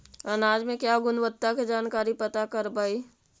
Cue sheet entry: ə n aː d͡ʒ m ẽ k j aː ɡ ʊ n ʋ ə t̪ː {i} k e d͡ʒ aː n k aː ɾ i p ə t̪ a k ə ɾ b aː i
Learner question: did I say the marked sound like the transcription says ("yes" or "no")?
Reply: no